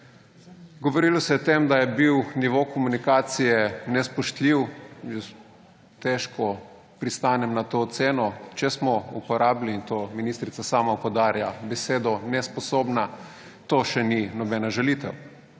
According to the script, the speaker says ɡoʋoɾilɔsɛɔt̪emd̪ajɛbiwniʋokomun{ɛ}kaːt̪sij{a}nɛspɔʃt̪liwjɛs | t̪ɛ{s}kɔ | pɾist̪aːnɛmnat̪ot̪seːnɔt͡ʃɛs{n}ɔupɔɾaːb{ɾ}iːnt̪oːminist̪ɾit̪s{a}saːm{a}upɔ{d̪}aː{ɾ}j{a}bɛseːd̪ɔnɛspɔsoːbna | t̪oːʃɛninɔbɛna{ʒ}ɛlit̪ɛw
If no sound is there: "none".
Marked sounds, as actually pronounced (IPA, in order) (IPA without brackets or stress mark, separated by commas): i, ɛ, ʃ, m, l, a, a, d̪, ɾ, a, ʒ